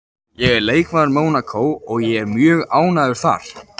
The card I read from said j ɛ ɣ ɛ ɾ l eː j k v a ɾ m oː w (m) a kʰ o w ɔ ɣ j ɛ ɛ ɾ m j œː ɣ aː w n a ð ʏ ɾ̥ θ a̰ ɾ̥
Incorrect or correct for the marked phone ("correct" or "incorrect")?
incorrect